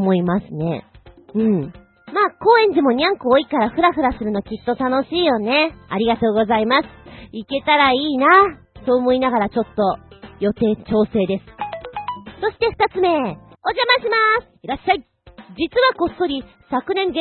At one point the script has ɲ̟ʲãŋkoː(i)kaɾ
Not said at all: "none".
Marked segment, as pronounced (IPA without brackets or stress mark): i